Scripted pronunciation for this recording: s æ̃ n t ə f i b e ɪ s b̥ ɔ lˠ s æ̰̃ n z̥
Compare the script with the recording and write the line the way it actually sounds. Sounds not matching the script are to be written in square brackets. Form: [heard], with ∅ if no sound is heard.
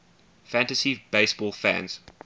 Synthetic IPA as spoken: [f] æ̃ n t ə [s] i b e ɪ s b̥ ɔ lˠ [f] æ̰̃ n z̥